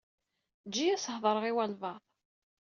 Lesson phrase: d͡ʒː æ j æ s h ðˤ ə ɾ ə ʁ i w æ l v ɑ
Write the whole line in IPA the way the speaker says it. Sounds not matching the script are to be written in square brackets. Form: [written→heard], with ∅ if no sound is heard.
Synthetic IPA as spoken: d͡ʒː [æ→i] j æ s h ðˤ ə ɾ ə ʁ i w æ l v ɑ